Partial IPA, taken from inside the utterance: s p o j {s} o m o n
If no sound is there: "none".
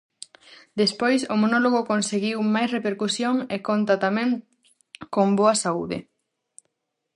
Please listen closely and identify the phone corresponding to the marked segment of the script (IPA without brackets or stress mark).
s